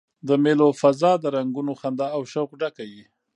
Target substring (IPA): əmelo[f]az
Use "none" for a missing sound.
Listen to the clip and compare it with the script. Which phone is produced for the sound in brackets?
f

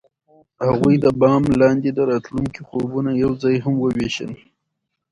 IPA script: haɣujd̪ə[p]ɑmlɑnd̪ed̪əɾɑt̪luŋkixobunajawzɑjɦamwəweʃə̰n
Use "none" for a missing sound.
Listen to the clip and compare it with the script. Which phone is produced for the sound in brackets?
b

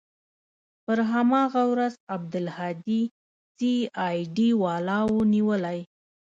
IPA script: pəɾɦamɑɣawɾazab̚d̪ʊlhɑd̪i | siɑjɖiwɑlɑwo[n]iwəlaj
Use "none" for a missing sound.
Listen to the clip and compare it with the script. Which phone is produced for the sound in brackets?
n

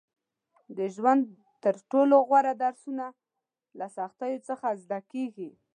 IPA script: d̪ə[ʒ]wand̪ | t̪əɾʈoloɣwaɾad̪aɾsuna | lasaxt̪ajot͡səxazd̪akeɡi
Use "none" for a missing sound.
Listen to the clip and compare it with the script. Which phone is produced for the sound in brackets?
ʒ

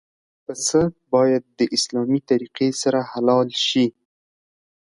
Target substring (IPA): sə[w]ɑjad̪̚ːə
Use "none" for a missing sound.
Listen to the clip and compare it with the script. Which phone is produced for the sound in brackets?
b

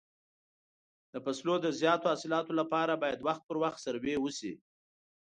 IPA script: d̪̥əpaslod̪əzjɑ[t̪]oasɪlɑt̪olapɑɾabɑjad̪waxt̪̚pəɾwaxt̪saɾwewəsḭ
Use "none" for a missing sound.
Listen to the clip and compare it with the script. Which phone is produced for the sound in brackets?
t̪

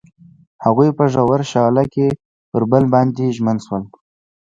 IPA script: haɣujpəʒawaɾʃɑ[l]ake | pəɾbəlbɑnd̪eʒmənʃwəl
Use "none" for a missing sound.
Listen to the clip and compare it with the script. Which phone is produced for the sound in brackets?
l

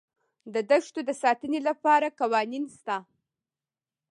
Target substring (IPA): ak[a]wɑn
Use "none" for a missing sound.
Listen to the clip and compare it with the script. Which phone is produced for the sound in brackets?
a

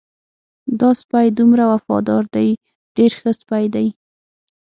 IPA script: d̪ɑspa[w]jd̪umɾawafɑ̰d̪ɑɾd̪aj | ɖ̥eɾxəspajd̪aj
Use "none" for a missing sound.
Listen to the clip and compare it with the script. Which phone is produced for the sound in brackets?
none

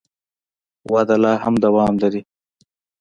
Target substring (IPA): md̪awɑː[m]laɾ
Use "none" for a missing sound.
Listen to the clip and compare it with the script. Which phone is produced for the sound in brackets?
m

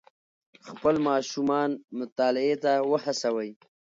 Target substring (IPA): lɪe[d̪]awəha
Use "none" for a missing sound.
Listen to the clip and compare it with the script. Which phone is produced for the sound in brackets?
t̪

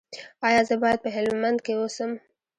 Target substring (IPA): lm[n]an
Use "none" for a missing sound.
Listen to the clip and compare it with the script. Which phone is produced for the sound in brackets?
m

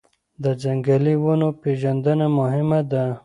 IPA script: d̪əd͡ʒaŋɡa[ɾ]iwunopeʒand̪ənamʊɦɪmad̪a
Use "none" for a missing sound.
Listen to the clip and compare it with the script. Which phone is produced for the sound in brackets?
l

